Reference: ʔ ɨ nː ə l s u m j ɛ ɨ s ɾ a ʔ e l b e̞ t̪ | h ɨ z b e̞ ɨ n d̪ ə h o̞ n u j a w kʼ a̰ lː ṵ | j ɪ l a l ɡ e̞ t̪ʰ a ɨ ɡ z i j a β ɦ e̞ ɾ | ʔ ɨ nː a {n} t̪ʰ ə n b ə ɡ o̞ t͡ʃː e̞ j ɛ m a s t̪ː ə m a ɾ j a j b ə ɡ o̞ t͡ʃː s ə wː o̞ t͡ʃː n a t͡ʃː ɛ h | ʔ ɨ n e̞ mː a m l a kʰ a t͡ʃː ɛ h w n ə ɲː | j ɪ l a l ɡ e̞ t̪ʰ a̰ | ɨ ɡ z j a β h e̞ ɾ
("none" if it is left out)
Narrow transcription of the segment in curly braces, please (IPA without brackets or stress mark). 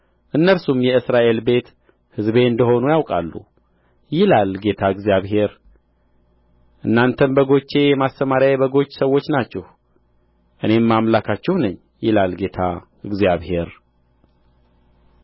n